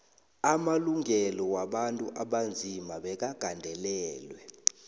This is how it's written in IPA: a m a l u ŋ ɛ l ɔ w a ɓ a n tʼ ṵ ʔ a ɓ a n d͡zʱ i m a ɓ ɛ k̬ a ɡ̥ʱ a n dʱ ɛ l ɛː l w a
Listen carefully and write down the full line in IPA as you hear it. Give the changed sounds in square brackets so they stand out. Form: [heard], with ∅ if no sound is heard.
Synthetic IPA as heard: a m a l u ŋ ɛ l ɔ w a ɓ a n tʼ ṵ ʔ a ɓ a n d͡zʱ i m a ɓ ɛ k̬ a ɡ̥ʱ a n dʱ ɛ l ɛː l w [ɛ]